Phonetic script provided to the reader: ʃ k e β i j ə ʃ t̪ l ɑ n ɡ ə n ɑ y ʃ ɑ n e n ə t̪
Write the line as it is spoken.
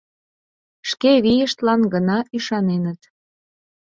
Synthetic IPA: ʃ k e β i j ə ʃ t̪ l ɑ n ɡ ə n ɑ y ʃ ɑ n e n ə t̪